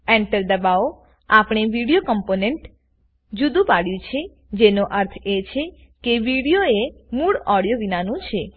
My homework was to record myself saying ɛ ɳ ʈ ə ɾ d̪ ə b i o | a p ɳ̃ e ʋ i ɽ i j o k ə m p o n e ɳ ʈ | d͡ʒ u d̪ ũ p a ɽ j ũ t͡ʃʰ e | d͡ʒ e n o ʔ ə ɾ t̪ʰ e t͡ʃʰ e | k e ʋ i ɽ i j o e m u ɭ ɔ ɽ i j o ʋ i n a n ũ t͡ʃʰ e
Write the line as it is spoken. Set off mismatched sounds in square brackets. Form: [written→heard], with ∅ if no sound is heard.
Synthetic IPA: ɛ ɳ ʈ ə ɾ d̪ ə b [i→a] o | a p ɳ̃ e ʋ i ɽ i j o k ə m p o n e ɳ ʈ | d͡ʒ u d̪ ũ p a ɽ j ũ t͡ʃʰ e | d͡ʒ e n o ʔ ə ɾ t̪ʰ e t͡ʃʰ e | k e ʋ i ɽ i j o e m u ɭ ɔ ɽ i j o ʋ i n a n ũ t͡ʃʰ e

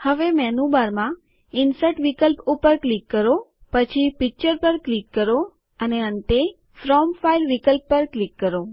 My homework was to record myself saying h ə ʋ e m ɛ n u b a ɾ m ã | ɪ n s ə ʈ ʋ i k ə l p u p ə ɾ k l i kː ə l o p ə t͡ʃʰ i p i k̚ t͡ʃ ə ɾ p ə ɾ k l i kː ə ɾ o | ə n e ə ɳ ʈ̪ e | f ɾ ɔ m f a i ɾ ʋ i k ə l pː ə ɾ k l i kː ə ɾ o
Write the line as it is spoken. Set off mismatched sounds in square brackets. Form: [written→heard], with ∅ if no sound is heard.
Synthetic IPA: h ə ʋ e m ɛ n u b a ɾ m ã | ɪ n s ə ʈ ʋ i k ə l p u p ə ɾ k l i kː ə [l→ɾ] o p ə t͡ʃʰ i p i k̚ t͡ʃ ə ɾ p ə ɾ k l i kː ə ɾ o | ə n e ə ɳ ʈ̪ e | f ɾ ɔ m f a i [ɾ→l] ʋ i k ə l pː ə ɾ k l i kː ə ɾ o

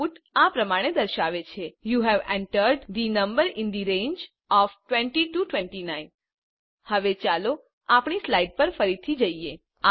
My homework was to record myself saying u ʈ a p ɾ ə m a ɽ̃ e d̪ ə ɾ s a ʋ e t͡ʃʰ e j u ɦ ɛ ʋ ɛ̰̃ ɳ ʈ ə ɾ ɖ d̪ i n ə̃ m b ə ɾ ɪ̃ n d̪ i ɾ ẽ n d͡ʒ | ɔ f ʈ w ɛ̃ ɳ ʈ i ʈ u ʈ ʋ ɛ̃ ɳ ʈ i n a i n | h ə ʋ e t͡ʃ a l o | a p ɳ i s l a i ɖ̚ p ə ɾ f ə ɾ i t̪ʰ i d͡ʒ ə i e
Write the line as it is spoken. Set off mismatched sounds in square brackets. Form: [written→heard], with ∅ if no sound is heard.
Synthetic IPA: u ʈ a p ɾ ə m a ɽ̃ e d̪ ə ɾ [s→ʃ] a ʋ e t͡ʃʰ e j u ɦ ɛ ʋ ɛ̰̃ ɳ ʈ ə ɾ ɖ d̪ i n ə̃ m b ə ɾ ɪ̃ n d̪ i ɾ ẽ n d͡ʒ | ɔ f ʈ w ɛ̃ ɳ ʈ i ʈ u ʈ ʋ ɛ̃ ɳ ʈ i n a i n | h ə ʋ e t͡ʃ a l o | a p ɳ i s l a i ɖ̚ p ə ɾ f ə ɾ i t̪ʰ i d͡ʒ ə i e

